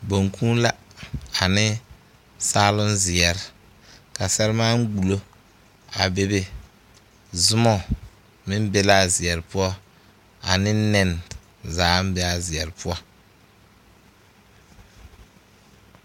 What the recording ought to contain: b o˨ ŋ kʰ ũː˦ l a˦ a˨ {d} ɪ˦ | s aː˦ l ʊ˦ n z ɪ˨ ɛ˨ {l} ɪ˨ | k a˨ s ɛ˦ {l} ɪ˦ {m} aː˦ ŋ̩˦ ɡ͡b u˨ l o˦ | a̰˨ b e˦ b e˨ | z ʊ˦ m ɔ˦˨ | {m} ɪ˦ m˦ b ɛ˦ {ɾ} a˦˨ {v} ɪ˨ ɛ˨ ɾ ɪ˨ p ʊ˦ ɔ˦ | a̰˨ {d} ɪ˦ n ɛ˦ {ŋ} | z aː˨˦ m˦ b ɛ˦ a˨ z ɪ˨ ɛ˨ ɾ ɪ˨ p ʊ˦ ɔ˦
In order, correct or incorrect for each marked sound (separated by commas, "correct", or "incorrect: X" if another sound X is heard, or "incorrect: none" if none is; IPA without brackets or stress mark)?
incorrect: n, incorrect: ɾ, incorrect: ɾ, correct, correct, incorrect: l, incorrect: z, incorrect: n, incorrect: n